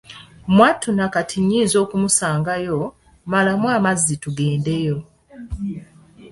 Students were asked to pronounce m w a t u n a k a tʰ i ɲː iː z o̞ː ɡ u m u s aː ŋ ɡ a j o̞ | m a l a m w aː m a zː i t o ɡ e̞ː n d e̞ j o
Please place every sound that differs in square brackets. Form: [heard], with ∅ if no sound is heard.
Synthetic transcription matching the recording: m w a t u n a k a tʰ i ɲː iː z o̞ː [k] u m u s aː ŋ ɡ a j o̞ | m a l a m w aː m a zː i t [u] ɡ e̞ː n d e̞ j o